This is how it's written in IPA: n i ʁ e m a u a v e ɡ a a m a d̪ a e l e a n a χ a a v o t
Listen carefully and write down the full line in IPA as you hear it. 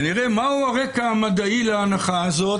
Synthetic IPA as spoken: n i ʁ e m a u a ʁ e k a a m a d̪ a i l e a n a χ a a z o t